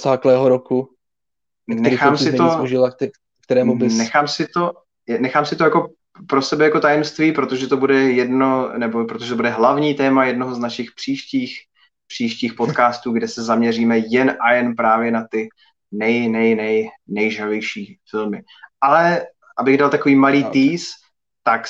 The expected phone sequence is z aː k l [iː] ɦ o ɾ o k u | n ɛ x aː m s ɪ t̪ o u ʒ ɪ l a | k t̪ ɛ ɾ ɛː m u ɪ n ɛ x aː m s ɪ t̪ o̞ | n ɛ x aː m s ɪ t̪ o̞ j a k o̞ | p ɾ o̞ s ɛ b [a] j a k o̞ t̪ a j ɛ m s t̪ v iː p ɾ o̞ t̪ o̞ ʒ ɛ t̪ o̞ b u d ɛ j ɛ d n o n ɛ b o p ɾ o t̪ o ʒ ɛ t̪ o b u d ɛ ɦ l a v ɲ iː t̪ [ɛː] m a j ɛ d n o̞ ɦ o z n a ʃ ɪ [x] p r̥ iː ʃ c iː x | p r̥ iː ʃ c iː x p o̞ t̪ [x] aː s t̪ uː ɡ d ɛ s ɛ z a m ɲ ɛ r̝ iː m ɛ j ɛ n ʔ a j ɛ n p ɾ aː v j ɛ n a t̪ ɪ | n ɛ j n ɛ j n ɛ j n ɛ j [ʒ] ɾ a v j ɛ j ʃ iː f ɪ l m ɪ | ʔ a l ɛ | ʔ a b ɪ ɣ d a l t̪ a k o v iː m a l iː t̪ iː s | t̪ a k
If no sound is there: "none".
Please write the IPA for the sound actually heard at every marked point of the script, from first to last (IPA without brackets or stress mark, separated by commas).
ɛː, ɛ, ɛː, x, k, ʒ